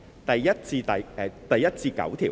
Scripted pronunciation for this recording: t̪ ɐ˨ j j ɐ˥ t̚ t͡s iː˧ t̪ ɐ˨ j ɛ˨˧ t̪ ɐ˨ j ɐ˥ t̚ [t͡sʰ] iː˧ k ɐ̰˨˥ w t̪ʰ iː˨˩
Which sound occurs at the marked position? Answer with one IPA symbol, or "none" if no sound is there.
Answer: t͡s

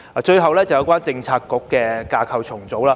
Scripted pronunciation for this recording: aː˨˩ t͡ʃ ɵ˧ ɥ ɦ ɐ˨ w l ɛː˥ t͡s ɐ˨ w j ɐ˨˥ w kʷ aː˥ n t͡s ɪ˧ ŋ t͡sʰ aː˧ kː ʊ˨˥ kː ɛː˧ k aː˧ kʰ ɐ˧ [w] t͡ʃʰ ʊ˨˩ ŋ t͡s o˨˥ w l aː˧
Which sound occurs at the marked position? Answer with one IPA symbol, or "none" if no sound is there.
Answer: w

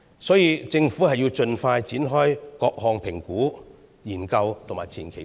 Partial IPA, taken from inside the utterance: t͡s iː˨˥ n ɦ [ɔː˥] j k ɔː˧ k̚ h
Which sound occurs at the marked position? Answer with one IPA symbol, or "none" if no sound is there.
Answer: ɔː˥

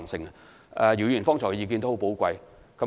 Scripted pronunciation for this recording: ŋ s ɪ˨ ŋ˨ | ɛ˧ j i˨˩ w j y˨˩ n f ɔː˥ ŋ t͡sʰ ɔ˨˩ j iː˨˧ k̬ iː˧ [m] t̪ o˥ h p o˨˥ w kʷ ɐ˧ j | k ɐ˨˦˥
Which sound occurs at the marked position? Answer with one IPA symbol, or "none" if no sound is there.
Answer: n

